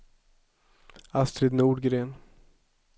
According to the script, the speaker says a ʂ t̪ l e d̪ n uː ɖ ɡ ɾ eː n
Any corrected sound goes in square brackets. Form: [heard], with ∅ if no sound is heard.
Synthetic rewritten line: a [s] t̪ [ɾ] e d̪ n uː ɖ ɡ ɾ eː n